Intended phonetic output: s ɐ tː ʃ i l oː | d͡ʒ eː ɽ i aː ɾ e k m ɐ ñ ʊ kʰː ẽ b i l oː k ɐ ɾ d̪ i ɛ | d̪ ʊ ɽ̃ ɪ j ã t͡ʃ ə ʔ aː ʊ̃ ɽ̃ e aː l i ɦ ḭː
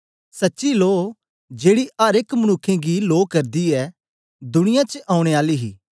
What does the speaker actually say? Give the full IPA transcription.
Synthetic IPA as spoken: s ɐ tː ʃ i l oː | d͡ʒ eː ɽ i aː ɾ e k m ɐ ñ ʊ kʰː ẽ ɡ i l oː k ɐ ɾ d̪ i ɛ | d̪ ʊ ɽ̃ ɪ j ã t͡ʃ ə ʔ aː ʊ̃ ɽ̃ e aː l i ɦ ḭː